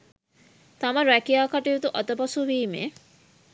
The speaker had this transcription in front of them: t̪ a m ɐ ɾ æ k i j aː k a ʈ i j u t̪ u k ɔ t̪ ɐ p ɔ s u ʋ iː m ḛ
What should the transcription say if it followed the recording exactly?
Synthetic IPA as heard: t̪ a m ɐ ɾ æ k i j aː k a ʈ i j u t̪ u ʔ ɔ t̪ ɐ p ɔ s u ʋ iː m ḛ

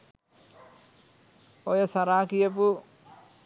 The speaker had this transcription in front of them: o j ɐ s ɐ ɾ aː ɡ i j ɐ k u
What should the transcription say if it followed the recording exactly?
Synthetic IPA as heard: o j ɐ s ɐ ɾ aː k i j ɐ p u

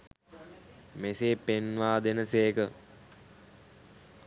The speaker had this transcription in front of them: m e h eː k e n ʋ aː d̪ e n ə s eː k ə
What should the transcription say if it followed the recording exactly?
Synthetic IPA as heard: m e s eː p e n ʋ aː d̪ e n ə s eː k ə

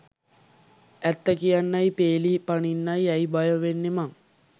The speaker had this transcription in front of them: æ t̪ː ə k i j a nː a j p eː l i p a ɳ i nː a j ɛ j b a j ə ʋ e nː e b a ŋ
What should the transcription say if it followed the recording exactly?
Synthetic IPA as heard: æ t̪ː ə k i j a nː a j p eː l i p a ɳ i nː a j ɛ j b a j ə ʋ e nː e m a ŋ

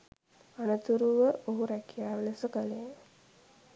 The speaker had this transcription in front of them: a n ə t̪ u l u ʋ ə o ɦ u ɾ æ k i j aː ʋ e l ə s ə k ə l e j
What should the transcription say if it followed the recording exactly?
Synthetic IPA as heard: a n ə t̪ u ɾ u ʋ ə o ɦ u ɾ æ k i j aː ʋ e l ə s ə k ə l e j

